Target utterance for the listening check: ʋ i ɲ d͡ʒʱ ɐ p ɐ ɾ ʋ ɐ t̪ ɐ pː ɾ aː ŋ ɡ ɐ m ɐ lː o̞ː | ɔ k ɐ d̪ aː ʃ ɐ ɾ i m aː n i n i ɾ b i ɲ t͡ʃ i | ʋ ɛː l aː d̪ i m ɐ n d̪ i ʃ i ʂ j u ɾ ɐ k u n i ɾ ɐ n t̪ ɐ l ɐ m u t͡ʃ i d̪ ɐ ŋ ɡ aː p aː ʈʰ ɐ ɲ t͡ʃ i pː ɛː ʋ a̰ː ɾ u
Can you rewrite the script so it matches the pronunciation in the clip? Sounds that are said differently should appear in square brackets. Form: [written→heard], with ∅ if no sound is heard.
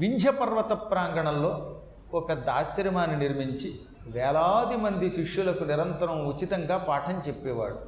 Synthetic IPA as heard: ʋ i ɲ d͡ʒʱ ɐ p ɐ ɾ ʋ ɐ t̪ ɐ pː ɾ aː ŋ ɡ ɐ [m→ɳ] ɐ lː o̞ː | ɔ k ɐ d̪ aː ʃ ɐ ɾ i m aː n i n i ɾ [b→m] i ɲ t͡ʃ i | ʋ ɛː l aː d̪ i m ɐ n d̪ i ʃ i ʂ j u [ɾ→l] ɐ k u n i ɾ ɐ n t̪ ɐ [l→ɾ] ɐ m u t͡ʃ i [d̪→t̪] ɐ ŋ ɡ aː p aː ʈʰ ɐ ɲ t͡ʃ [i→e] pː ɛː ʋ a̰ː [ɾ→ɽ] u